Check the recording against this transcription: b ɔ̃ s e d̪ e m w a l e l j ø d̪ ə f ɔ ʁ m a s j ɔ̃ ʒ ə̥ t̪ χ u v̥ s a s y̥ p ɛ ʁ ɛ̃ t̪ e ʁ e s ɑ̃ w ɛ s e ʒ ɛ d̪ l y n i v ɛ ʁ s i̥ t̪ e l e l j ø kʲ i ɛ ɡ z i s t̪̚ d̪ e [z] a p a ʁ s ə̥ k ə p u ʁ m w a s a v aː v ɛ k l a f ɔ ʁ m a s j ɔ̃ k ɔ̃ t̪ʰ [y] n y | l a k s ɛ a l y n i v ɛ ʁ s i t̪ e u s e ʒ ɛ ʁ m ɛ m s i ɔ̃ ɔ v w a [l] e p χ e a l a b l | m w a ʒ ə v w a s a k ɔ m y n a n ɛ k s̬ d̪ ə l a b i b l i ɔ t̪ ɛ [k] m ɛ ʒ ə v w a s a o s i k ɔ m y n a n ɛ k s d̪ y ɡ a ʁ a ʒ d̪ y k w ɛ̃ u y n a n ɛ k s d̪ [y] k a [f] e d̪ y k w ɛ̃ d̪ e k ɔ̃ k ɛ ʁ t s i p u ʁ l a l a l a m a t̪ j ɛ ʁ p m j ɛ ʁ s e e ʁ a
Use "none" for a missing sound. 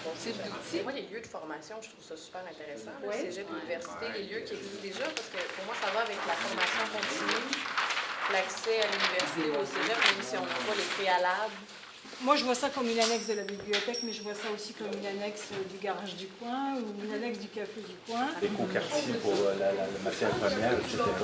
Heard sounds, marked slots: ʒ, i, l, k, y, f

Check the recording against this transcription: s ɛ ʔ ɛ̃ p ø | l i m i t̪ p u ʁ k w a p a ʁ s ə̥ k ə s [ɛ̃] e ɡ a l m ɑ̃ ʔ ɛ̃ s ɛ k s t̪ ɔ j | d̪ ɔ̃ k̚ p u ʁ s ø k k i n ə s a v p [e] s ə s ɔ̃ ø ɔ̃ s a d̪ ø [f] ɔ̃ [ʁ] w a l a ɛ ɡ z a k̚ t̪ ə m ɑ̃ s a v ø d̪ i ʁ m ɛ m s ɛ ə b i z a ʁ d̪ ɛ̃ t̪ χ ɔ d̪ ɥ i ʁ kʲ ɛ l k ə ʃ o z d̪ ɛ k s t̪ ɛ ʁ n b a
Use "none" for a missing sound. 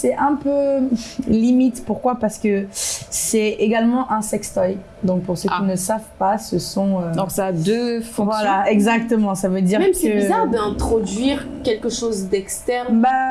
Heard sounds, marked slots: ɛ, a, f, v

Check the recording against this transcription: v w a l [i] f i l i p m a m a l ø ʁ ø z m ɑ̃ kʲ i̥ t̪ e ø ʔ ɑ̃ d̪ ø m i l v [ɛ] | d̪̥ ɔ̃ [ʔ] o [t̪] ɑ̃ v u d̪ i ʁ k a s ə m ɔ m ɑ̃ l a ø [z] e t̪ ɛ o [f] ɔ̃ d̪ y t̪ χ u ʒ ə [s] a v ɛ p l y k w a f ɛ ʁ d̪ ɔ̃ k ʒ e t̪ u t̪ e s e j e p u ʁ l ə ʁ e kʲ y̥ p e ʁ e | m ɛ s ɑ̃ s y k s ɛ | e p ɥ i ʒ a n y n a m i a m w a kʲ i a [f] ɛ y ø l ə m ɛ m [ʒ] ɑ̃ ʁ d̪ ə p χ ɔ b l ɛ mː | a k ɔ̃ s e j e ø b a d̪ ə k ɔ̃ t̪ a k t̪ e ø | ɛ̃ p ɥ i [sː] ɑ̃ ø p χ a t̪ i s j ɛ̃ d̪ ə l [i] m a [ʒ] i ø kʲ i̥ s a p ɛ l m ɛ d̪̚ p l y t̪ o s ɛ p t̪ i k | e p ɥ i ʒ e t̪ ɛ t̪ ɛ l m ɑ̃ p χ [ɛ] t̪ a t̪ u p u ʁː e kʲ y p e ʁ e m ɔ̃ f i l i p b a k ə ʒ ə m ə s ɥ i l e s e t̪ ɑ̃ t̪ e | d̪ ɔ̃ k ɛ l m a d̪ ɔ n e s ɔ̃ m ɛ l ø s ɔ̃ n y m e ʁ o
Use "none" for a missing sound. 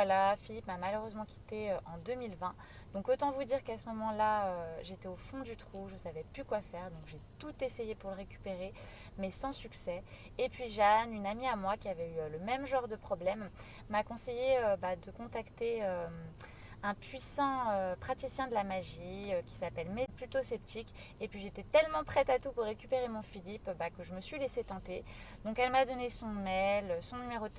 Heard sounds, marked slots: a, ɛ̃, k, t̪, ʒ, f, s, v, ʒ, s, a, ʒ, ɛ

